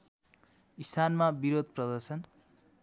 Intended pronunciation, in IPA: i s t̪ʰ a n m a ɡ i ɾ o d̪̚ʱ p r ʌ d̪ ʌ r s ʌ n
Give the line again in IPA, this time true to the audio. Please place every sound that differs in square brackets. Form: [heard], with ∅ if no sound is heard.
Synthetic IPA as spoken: i s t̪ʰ a n m a [b] i ɾ o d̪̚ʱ p r ʌ d̪ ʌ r s ʌ n